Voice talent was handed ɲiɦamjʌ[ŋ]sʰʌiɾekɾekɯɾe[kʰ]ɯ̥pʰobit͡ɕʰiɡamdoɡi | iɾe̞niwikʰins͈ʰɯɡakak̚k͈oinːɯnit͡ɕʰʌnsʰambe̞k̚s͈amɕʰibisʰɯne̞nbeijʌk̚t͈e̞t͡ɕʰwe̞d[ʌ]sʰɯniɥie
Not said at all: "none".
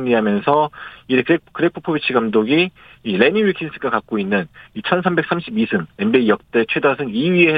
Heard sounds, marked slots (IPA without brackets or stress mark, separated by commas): n, pʰ, a